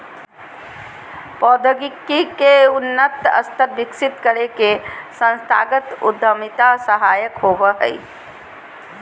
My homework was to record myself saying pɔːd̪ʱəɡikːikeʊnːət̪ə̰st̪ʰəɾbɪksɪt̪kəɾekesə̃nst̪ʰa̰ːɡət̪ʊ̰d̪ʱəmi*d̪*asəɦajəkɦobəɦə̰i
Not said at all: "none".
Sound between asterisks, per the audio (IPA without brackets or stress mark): t̪